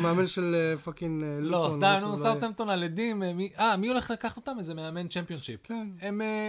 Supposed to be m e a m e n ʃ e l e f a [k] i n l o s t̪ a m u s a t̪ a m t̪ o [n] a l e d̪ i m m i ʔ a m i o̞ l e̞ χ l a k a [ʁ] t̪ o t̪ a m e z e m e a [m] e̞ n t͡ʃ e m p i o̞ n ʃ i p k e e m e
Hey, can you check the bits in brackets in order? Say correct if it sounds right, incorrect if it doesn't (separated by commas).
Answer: correct, correct, incorrect, correct